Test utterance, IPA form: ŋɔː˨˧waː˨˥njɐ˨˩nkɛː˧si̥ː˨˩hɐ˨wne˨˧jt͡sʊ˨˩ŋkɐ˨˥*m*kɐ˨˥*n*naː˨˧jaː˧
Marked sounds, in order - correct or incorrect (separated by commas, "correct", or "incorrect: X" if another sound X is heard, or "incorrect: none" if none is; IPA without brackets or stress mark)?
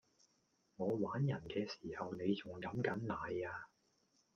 correct, correct